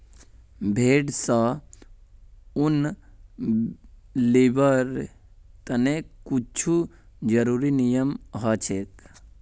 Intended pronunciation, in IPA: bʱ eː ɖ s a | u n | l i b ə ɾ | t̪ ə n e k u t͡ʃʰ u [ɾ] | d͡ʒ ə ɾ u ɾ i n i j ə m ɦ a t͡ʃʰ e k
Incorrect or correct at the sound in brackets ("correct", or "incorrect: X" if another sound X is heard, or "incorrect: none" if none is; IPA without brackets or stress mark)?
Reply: incorrect: none